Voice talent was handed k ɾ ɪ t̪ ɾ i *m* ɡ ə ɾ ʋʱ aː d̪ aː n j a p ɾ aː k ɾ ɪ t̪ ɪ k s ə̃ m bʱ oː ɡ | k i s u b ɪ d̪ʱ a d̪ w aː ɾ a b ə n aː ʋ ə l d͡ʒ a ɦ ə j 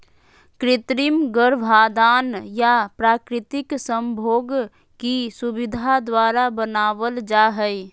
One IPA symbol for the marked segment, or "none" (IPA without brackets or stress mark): m